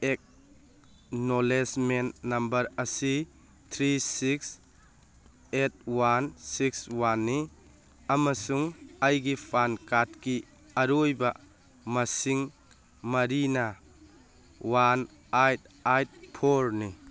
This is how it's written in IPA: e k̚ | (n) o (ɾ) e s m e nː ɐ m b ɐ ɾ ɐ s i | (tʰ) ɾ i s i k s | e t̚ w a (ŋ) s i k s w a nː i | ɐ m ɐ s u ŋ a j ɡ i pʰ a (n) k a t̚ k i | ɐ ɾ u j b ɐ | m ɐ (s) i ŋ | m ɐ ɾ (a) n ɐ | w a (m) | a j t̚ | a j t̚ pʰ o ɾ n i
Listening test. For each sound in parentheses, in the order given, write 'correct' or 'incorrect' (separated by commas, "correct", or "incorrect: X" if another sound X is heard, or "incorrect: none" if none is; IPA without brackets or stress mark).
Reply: correct, incorrect: l, correct, incorrect: n, correct, correct, incorrect: i, incorrect: n